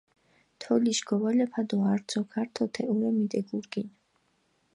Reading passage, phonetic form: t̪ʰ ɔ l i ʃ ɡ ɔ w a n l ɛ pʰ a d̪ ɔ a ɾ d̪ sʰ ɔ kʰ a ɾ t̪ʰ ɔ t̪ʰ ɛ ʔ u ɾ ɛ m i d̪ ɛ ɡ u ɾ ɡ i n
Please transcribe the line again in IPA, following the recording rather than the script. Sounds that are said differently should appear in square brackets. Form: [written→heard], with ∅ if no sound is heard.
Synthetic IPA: t̪ʰ ɔ l i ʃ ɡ ɔ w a [n→∅] l ɛ pʰ a d̪ ɔ a ɾ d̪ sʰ ɔ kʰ a ɾ t̪ʰ ɔ t̪ʰ ɛ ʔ u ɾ ɛ m i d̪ ɛ ɡ u ɾ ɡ i n